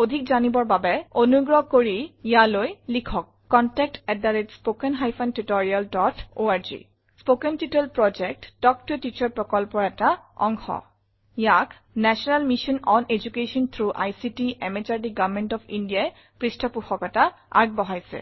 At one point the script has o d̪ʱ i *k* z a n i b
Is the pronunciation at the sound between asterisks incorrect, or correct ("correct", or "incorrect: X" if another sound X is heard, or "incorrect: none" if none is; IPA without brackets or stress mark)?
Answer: correct